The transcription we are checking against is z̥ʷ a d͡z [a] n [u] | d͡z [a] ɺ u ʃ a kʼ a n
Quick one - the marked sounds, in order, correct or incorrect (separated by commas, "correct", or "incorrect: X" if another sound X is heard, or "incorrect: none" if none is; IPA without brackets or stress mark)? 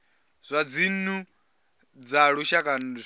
incorrect: i, correct, correct